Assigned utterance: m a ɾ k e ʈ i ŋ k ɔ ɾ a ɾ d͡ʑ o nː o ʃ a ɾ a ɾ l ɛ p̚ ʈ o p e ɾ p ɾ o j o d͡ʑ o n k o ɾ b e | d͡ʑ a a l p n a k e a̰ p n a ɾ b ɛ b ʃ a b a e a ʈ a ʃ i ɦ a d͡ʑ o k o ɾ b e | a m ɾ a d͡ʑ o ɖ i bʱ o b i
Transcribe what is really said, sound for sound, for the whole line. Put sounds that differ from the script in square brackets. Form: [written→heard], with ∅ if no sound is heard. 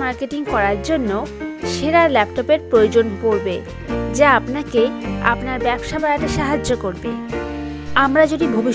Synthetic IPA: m a ɾ k e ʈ i ŋ k ɔ ɾ a ɾ d͡ʑ o nː o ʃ [a→e] ɾ a ɾ l ɛ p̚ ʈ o p e ɾ p ɾ o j o d͡ʑ o n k o ɾ b e | d͡ʑ a a [l→∅] p n a k e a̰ p n a ɾ b ɛ b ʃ a b a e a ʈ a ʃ [i→a] ɦ a d͡ʑ o k o ɾ b e | a m ɾ a d͡ʑ o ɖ i bʱ o b i